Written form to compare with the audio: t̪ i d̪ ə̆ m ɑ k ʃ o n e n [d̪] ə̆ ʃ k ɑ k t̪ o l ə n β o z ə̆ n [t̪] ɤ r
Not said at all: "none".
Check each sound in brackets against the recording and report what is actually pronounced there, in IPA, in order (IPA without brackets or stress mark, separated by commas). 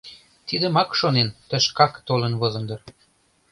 t̪, d̪